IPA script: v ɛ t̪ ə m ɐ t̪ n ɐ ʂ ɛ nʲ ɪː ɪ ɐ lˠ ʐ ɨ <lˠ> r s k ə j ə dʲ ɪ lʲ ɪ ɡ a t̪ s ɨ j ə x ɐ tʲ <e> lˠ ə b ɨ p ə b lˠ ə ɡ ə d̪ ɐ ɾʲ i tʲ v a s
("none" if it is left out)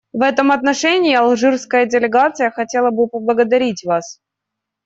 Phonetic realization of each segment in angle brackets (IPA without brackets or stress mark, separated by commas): none, e